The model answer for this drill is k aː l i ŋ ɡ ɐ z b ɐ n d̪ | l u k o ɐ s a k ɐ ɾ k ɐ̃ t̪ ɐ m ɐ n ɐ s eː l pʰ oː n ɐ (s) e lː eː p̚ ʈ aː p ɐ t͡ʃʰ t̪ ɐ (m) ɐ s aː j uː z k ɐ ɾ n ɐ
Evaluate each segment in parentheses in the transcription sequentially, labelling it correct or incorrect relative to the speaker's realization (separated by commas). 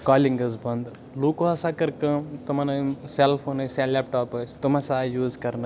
correct, correct